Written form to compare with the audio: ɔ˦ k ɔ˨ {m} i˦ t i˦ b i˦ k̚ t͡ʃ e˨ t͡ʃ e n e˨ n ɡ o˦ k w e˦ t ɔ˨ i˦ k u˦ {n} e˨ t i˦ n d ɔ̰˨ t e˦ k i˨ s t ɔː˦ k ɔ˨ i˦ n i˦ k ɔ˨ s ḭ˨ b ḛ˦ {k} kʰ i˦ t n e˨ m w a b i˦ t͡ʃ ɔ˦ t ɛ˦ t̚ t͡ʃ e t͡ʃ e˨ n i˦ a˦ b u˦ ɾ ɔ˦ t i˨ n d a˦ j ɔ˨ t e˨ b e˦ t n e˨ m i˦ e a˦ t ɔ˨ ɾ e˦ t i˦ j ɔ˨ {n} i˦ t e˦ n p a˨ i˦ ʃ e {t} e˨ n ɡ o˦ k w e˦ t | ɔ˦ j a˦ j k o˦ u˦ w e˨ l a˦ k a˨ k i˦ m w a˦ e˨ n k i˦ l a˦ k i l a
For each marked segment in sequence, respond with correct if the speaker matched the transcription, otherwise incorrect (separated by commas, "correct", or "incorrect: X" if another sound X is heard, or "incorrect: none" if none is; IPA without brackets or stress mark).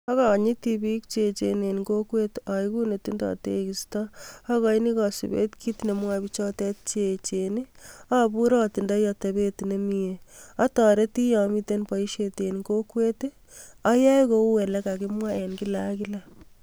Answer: incorrect: ɲ, correct, incorrect: t, incorrect: m, correct